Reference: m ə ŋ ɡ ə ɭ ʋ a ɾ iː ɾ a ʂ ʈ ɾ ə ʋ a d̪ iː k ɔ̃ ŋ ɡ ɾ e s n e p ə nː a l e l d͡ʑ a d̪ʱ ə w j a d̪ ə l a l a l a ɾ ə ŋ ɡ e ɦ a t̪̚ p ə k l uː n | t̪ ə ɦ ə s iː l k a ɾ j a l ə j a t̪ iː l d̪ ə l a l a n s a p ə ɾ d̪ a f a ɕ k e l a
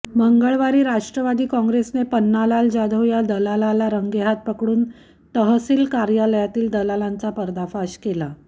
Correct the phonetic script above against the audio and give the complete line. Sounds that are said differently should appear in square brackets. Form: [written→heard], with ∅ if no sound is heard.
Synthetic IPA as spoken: m ə ŋ ɡ ə ɭ ʋ a ɾ iː ɾ a ʂ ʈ ɾ ə ʋ a d̪ iː k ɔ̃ ŋ ɡ ɾ e s n e p ə nː a l [e→a] l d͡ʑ a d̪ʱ ə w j a d̪ ə l a l a l a ɾ ə ŋ ɡ e ɦ a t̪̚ p ə k [l→ɽ] uː n | t̪ ə ɦ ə s iː l k a ɾ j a l ə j a t̪ iː l d̪ ə l a l a n [s→t͡s] a p ə ɾ d̪ a f a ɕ k e l a